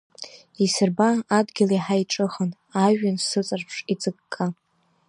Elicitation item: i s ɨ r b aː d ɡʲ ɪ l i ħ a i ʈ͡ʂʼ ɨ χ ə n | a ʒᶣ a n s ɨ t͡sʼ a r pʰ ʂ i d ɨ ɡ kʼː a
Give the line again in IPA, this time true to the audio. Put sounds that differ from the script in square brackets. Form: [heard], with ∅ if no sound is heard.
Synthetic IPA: i s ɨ r b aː d ɡʲ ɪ l i ħ a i ʈ͡ʂʼ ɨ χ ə n | a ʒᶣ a n s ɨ t͡sʼ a r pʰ ʂ i [d͡z] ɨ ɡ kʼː a

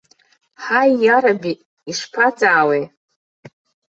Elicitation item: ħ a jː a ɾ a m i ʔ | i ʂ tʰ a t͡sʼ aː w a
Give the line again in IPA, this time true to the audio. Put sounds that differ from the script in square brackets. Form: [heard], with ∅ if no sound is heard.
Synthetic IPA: ħ a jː a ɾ a [b] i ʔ | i ʂ [pʰ] a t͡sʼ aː w [e]

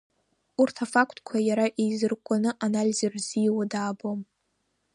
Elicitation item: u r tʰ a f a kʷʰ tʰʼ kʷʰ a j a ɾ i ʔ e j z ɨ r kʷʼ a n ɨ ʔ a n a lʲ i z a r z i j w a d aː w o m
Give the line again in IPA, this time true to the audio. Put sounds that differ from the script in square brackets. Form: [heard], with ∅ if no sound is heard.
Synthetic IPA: u r tʰ a f a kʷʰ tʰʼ kʷʰ a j a ɾ [a] ʔ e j z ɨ r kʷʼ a n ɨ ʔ a n a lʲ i z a r z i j w a d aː [b] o m

